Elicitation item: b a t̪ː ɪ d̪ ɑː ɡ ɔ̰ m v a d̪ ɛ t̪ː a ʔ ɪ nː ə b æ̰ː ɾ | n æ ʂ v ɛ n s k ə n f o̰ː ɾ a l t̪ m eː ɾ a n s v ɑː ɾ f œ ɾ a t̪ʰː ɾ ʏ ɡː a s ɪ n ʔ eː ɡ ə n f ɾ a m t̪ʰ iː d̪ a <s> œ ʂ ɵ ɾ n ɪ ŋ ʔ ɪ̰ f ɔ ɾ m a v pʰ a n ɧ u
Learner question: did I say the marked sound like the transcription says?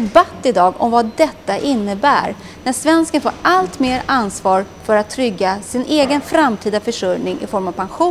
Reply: no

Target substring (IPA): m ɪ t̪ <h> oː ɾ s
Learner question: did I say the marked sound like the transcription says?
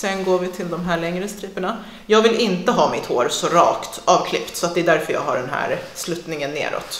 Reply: yes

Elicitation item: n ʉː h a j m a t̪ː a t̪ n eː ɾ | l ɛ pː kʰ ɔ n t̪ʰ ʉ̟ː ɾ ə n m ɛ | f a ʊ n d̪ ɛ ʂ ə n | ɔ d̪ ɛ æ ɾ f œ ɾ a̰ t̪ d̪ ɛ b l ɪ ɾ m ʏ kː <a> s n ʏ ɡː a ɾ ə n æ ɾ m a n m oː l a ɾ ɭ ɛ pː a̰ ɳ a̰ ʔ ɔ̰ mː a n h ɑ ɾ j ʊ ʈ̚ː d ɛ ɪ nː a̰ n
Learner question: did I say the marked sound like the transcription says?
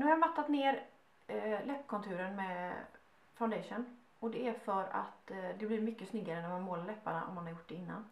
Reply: no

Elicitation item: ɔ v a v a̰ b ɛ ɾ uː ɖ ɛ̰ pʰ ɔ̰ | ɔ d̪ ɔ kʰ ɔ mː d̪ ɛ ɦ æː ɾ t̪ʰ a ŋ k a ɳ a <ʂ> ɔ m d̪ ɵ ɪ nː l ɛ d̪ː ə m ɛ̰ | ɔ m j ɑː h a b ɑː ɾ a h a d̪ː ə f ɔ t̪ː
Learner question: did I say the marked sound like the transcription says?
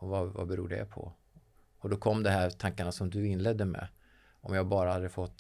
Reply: no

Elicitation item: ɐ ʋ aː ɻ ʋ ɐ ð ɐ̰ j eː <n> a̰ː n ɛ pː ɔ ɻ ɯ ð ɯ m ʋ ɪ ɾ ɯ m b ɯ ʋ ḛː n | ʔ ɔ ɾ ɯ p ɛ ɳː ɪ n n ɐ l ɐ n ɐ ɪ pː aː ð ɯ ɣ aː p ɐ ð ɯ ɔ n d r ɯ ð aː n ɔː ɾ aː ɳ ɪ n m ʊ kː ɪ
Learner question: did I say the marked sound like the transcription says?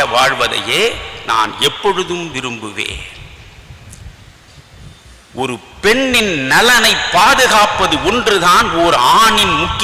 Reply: yes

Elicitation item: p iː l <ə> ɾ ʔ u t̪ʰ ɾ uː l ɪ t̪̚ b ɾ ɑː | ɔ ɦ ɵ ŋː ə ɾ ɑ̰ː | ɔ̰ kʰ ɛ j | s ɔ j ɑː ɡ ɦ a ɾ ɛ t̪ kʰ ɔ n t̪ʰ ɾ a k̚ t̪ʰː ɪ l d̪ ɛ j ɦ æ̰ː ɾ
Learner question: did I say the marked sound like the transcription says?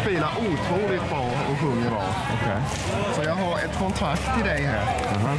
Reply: no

